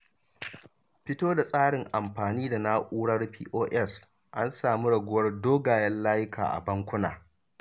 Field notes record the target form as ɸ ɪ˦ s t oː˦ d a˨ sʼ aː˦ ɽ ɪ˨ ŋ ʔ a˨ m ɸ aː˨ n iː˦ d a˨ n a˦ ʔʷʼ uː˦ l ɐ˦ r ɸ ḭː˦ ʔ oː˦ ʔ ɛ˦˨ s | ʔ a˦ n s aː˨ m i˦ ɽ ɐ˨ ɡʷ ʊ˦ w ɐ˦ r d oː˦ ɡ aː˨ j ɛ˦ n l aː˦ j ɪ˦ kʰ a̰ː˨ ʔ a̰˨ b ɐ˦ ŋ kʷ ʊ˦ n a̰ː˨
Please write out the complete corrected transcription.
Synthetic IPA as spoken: ɸ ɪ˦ t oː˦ d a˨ sʼ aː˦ ɽ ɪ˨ ŋ ʔ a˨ m ɸ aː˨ n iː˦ d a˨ n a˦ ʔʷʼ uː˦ ɽ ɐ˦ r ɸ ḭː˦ ʔ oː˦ ʔ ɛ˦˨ s | ʔ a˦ n s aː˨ m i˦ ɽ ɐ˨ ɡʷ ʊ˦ w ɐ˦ r d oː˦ ɡ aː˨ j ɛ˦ n l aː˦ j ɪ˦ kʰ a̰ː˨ ʔ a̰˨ b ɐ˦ ŋ kʷ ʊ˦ n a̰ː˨

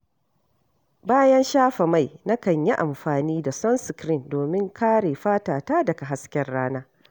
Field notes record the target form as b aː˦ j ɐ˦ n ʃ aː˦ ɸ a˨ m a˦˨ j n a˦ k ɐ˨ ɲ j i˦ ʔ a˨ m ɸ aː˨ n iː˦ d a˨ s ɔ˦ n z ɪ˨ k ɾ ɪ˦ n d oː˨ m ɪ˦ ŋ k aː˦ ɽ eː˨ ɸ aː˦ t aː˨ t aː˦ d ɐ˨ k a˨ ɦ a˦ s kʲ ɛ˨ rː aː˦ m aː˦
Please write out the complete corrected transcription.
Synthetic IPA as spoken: b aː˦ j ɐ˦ n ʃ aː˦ ɸ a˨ m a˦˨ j n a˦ k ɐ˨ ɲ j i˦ ʔ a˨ m ɸ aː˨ n iː˦ d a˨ s ɔ˦ n s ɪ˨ k ɾ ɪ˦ n d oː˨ m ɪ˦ ŋ k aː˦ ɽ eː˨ ɸ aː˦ t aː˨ t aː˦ d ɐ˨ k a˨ ɦ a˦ s kʲ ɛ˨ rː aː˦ n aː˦

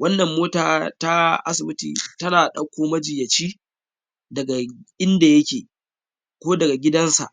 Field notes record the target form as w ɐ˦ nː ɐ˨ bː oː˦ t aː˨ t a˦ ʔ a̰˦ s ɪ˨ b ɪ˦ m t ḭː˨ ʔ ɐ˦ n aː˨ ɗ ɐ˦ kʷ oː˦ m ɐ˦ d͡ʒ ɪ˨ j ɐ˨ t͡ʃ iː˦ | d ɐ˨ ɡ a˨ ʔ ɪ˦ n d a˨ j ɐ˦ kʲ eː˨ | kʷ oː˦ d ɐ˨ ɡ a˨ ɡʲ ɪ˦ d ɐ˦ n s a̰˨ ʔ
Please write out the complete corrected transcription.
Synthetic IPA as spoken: w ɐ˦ nː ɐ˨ mː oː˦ t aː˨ t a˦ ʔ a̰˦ s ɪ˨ b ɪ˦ t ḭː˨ t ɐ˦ n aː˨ ɗ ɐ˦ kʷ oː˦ m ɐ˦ d͡ʒ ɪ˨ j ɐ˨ t͡ʃ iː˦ | d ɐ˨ ɡ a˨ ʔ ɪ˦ n d a˨ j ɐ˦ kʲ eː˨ | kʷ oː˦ d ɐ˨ ɡ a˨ ɡʲ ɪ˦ d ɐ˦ n s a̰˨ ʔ

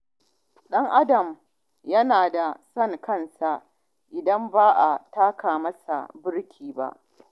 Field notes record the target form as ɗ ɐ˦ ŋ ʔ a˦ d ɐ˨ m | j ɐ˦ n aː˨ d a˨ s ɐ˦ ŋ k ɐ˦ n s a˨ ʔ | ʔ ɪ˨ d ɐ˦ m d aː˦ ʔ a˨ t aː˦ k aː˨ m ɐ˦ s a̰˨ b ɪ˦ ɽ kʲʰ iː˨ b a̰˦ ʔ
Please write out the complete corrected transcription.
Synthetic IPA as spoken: ɗ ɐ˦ ŋ ʔ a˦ d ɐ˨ m | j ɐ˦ n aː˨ d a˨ s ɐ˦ ŋ k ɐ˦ n s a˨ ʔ | ʔ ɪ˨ d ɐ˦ m b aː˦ ʔ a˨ t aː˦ k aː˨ m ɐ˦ s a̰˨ b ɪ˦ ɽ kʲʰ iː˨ b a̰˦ ʔ

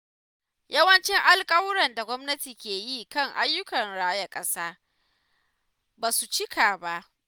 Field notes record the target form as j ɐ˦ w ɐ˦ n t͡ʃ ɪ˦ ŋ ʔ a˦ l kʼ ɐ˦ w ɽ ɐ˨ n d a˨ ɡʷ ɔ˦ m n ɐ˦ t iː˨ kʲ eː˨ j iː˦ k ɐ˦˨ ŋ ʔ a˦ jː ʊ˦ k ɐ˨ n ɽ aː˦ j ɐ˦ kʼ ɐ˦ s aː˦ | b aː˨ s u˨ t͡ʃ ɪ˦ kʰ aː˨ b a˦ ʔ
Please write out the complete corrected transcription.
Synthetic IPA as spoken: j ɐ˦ w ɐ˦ n t͡ʃ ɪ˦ ŋ ʔ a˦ l kʼ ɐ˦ w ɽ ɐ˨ n d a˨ ɡʷ ɔ˦ m n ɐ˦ t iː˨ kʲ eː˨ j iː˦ k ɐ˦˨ ŋ ʔ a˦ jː ʊ˦ k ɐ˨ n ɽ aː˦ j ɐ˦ kʼ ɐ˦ s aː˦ | b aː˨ s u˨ t͡ʃ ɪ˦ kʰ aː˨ b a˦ ʔ

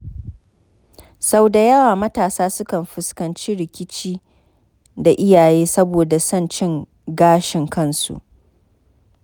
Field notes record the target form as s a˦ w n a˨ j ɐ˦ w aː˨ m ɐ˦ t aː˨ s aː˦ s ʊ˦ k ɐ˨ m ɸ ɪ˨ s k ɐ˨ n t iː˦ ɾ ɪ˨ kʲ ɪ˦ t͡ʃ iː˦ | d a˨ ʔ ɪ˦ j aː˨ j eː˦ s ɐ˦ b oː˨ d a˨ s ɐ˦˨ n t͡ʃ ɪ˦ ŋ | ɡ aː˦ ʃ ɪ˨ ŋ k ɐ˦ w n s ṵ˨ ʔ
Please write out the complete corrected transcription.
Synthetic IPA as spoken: s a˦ w d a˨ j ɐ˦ w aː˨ m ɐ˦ t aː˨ s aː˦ s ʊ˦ k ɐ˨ m ɸ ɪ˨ s k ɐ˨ n t͡ʃ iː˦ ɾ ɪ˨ kʲ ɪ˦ t͡ʃ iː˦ | d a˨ ʔ ɪ˦ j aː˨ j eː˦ s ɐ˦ b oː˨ d a˨ s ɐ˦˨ n t͡ʃ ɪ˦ ŋ | ɡ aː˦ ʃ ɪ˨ ŋ k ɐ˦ n s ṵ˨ ʔ

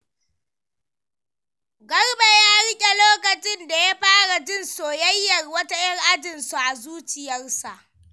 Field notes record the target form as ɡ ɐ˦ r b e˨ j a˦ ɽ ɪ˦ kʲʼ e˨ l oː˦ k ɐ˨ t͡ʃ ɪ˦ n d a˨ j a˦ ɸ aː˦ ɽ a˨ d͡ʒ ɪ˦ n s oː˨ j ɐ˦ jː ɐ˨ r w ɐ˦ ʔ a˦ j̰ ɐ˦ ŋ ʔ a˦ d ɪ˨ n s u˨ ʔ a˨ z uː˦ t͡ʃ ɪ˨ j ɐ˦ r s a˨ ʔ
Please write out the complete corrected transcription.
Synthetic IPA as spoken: ɡ ɐ˦ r b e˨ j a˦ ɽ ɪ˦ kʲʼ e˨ l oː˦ k ɐ˨ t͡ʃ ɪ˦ n d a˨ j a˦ ɸ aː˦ ɽ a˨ d͡ʒ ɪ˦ n s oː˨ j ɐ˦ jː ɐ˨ r w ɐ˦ t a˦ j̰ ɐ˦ ŋ ʔ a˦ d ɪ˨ n s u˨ ʔ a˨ z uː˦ t͡ʃ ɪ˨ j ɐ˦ r s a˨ ʔ

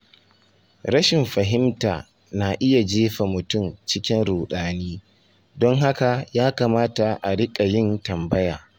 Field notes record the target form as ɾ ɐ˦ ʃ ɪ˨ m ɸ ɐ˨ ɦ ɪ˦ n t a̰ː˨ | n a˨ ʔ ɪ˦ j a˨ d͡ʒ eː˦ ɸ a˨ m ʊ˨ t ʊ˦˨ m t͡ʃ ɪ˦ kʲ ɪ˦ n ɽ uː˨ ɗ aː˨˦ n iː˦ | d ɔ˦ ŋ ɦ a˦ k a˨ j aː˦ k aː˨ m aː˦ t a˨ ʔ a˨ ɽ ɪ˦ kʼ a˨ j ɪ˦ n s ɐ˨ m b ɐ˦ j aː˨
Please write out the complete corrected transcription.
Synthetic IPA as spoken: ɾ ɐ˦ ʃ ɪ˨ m ɸ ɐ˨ ɦ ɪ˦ m t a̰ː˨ | n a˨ ʔ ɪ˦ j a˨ d͡ʒ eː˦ ɸ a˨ m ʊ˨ t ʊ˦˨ m t͡ʃ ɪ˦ kʲ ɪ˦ n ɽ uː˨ ɗ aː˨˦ n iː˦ | d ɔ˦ ŋ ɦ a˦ k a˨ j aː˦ k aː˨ m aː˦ t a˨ ʔ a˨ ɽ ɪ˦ kʼ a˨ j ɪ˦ n t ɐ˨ m b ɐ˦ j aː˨

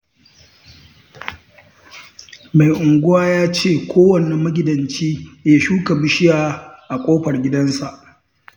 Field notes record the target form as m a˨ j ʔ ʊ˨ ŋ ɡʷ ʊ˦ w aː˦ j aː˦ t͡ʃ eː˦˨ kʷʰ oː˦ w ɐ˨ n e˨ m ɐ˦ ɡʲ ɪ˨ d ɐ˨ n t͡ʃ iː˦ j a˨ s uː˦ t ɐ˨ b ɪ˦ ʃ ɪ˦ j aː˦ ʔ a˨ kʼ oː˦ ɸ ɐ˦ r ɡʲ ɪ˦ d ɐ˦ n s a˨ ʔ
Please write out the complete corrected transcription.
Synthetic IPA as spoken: m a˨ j ʔ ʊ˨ ŋ ɡʷ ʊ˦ w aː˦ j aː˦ t͡ʃ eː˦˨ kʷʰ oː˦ w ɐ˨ n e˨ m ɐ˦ ɡʲ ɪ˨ d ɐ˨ n t͡ʃ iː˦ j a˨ ʃ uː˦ k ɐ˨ b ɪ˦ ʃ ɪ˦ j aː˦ ʔ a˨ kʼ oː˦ ɸ ɐ˨ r ɡʲ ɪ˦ d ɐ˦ n s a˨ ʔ

